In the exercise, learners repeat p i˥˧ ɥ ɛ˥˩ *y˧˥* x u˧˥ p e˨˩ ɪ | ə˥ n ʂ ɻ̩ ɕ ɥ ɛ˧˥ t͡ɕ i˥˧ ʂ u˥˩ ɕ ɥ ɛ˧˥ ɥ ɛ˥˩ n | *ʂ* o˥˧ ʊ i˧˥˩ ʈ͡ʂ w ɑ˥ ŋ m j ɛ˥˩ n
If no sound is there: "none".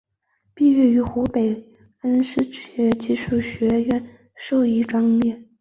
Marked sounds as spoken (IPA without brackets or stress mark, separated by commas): y˧˥, ʂ